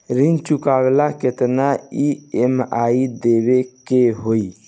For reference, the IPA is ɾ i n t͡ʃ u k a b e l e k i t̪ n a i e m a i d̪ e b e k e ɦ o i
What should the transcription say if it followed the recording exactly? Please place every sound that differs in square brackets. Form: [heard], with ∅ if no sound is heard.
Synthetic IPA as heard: ɾ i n t͡ʃ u k a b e l [a] k [e] t̪ n a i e m a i d̪ e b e k e ɦ o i